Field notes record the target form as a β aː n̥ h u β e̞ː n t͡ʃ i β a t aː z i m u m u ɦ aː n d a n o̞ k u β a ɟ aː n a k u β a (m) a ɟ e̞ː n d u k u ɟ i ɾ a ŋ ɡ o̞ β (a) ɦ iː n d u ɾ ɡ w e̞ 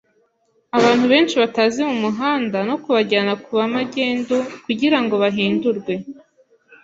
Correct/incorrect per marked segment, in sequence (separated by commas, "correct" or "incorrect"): correct, correct